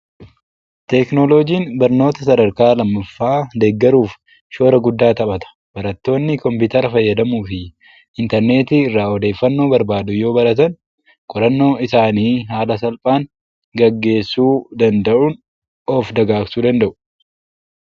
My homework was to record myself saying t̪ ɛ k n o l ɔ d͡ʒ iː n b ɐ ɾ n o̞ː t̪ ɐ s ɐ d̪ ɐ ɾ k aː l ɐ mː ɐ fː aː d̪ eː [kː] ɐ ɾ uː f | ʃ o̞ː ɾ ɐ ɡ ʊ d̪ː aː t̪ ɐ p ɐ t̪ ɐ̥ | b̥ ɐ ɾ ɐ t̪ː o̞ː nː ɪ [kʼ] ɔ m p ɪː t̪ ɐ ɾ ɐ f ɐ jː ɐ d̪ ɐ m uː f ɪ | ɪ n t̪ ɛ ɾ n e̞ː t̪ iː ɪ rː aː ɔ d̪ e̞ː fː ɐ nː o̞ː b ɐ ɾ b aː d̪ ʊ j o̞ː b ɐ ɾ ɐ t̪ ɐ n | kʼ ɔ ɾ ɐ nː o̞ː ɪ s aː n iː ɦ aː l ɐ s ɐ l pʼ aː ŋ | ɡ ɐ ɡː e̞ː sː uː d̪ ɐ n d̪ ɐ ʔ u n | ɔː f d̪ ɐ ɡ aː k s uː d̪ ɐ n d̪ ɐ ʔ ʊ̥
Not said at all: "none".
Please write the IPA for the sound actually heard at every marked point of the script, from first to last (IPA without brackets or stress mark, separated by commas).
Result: ɡː, k